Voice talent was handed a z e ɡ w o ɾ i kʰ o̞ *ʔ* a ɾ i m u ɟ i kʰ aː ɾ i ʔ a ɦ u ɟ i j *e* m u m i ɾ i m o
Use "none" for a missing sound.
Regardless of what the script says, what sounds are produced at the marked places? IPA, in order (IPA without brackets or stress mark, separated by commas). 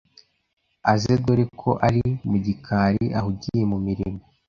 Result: ʔ, e